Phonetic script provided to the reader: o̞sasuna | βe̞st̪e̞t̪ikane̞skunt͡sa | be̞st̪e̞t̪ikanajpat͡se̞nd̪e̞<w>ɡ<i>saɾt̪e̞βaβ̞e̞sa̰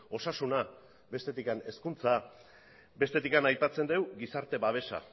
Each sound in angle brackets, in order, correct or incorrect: correct, correct

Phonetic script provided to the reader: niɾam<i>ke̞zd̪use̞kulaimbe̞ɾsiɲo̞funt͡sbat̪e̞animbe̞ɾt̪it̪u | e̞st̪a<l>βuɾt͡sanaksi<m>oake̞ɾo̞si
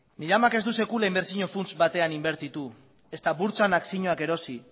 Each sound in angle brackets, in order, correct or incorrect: incorrect, incorrect, incorrect

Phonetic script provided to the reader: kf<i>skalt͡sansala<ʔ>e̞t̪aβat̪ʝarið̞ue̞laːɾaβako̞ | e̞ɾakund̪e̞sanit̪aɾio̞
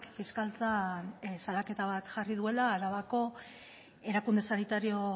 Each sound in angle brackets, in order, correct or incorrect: correct, incorrect

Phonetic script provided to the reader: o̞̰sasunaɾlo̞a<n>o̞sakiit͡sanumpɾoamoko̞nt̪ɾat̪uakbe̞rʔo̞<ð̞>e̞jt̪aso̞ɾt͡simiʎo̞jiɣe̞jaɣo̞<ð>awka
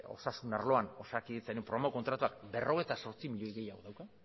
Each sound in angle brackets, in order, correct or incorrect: correct, incorrect, correct

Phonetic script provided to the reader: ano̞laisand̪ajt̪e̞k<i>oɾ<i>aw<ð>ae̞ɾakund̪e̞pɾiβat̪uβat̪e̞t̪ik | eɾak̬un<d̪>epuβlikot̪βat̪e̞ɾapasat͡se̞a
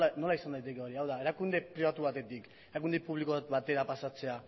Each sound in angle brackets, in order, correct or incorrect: incorrect, correct, correct, correct

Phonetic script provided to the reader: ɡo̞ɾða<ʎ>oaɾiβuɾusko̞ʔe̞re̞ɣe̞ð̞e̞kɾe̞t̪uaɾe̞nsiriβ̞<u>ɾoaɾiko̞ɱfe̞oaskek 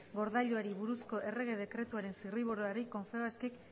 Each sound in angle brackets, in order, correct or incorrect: correct, incorrect

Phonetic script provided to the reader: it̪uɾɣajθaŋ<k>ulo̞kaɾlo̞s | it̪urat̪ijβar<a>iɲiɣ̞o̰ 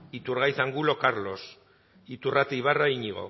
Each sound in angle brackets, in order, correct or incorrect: incorrect, correct

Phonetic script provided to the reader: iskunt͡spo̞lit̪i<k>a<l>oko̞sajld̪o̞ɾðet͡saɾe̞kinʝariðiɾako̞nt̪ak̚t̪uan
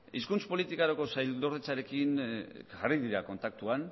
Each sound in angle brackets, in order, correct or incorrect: correct, incorrect

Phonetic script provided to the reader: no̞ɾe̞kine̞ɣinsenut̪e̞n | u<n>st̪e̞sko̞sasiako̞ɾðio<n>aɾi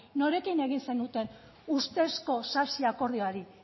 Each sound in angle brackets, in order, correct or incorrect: incorrect, incorrect

